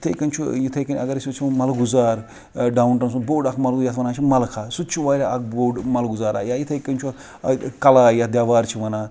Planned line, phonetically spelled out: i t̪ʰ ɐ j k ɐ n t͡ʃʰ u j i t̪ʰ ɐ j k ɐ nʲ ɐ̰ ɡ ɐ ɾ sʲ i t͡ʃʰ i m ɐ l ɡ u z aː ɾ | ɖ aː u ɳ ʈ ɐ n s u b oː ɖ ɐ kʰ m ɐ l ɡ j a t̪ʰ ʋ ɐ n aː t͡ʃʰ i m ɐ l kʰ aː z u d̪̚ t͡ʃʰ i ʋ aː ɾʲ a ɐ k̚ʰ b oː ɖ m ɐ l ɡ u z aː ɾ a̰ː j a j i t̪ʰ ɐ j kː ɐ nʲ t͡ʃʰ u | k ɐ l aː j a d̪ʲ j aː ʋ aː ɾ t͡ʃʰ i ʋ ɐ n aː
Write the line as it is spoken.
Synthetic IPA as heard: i t̪ʰ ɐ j k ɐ n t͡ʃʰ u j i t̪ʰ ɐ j k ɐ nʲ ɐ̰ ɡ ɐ ɾ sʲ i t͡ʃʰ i m ɐ l ɡ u z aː ɾ | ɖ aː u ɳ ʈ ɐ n s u b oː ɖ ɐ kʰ m ɐ l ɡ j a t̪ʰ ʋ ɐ n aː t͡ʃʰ i m ɐ l kʰ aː s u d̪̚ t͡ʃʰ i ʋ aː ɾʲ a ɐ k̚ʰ b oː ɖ m ɐ l ɡ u z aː ɾ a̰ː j a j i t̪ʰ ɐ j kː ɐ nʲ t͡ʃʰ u | k ɐ l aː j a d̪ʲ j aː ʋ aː ɾ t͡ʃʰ i ʋ ɐ n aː

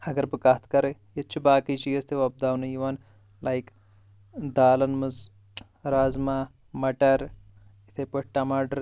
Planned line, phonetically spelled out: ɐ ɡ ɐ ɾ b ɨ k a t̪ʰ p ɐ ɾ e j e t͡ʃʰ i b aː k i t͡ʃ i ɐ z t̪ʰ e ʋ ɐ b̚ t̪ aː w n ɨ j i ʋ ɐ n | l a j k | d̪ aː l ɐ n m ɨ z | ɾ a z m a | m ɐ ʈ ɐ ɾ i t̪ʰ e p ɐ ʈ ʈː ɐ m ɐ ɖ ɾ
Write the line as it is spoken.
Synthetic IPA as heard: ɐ ɡ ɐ ɾ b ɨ k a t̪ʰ k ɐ ɾ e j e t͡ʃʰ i b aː k i t͡ʃ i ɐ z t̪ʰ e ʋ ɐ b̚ d̪ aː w n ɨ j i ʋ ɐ n | l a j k | d̪ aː l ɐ n m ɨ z | ɾ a z m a | m ɐ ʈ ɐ ɾ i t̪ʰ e p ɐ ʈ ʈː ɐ m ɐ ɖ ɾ

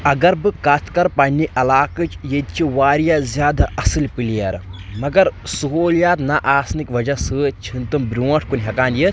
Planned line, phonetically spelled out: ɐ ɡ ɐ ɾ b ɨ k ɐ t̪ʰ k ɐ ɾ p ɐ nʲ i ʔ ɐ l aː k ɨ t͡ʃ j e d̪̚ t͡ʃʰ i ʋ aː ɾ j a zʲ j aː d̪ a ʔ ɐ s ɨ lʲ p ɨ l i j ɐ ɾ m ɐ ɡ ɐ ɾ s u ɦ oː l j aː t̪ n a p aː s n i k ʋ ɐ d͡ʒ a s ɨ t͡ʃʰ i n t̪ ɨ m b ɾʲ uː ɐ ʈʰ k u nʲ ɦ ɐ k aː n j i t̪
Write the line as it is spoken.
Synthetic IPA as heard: ɐ ɡ ɐ ɾ b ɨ k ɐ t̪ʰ k ɐ ɾ p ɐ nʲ i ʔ ɐ l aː k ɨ t͡ʃ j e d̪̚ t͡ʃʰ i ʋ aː ɾ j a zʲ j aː d̪ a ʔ ɐ s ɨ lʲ p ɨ l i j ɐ ɾ m ɐ ɡ ɐ ɾ s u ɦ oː l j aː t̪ n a ʔ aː s n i k ʋ ɐ d͡ʒ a s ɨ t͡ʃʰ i n t̪ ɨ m b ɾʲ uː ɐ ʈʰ k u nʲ ɦ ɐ k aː n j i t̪

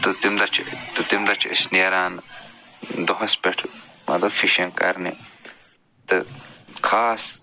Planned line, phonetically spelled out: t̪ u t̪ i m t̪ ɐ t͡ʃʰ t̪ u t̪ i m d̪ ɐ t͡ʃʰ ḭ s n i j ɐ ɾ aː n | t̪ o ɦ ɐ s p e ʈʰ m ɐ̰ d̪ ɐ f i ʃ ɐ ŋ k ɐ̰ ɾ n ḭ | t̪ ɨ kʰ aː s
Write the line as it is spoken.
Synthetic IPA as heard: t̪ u t̪ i m d̪ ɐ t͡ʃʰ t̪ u t̪ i m d̪ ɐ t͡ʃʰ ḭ s n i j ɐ ɾ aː n | d̪ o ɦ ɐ s p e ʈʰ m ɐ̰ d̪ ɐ f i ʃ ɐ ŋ k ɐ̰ ɾ n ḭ | t̪ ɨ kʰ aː s

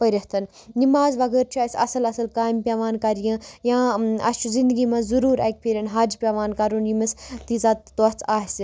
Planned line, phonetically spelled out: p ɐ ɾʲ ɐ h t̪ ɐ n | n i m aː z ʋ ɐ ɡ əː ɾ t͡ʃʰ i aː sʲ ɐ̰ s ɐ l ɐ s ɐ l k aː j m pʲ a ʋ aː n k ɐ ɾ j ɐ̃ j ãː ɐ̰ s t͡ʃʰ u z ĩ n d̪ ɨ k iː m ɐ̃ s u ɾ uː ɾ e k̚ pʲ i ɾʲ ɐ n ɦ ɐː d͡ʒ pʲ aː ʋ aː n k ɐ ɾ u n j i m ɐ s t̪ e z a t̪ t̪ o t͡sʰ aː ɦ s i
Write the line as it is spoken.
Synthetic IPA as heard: p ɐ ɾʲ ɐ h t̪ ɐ n | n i m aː z ʋ ɐ ɡ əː ɾ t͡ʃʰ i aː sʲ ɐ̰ s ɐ l ɐ s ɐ l k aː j m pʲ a ʋ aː n k ɐ ɾ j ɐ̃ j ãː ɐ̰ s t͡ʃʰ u z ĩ n d̪ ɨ ɡ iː m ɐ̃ z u ɾ uː ɾ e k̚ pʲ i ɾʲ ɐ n ɦ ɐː d͡ʒ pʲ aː ʋ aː n k ɐ ɾ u n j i m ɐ s t̪ i z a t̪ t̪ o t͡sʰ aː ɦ s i

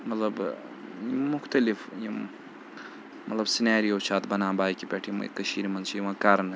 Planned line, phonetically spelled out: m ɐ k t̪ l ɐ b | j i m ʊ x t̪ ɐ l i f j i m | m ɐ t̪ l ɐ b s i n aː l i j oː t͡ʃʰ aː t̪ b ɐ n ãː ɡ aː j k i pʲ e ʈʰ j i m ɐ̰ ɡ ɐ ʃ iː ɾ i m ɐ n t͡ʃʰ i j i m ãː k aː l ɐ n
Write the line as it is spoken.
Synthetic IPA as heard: m ɐ t̪ l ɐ b | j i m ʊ x t̪ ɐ l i f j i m | m ɐ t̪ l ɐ b s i n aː ɾ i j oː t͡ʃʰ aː t̪ b ɐ n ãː b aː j k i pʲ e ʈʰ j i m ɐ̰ k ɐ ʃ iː ɾ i m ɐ n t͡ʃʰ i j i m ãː k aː ɾ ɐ n

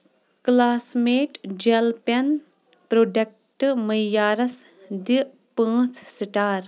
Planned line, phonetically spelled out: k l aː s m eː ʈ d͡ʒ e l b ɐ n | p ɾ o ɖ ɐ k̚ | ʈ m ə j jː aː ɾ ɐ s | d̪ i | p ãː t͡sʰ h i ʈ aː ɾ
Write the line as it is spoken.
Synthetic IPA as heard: k l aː s m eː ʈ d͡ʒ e l p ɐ n | p ɾ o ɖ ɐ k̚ | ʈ m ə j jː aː ɾ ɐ s | d̪ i | p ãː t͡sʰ s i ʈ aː ɾ

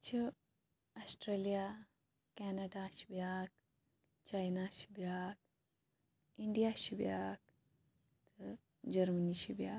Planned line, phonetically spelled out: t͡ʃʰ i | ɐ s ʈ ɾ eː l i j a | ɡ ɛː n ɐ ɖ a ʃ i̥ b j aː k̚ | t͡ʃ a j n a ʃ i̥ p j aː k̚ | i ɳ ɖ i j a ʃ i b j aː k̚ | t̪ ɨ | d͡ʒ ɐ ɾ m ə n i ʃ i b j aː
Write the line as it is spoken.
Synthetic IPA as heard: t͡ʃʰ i | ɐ s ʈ ɾ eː l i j a | k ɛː n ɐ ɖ a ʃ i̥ b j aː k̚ | t͡ʃ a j n a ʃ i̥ b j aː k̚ | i ɳ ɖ i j a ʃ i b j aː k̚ | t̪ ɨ | d͡ʒ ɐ ɾ m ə n i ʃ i b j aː

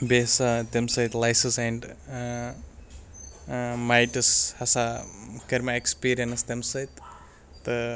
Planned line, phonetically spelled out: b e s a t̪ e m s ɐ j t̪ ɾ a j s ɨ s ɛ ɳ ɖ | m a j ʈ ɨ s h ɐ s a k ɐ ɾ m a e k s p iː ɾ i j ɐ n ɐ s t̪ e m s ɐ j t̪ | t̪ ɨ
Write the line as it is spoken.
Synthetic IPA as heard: b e s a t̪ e m s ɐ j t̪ l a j s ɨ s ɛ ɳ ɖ | m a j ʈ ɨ s h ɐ s a k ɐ ɾ m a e k s p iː ɾ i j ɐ n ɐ s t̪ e m s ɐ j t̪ | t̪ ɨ

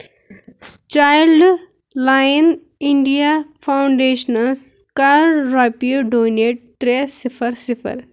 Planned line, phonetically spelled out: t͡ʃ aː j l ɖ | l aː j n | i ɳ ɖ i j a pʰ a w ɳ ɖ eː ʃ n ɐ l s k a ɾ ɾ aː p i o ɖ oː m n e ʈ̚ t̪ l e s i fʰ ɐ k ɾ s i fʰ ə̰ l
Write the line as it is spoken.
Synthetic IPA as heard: t͡ʃ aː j l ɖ | l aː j n | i ɳ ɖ i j a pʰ a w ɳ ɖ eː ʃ n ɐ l s k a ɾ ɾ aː p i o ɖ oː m n e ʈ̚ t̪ ɾ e s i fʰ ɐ ɾ s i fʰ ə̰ ɾ

